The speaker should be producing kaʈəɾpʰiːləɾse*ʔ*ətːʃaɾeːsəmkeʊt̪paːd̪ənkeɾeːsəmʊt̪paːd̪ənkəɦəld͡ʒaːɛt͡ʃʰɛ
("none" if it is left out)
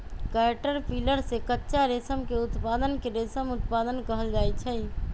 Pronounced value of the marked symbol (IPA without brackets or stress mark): k